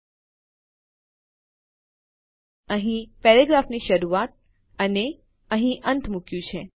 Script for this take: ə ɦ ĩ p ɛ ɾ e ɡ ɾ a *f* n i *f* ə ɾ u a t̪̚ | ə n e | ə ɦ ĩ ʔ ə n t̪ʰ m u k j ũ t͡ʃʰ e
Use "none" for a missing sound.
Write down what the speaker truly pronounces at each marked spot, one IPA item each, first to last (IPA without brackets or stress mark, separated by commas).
f, ʃ